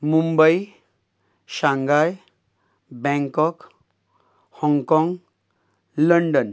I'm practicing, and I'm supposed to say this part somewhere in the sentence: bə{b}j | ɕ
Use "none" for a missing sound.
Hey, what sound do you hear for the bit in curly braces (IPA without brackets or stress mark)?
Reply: none